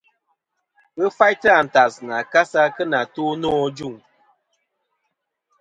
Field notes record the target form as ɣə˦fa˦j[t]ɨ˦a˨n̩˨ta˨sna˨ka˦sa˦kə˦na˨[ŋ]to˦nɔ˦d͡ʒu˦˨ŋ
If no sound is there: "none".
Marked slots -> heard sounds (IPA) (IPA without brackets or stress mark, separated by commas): t, none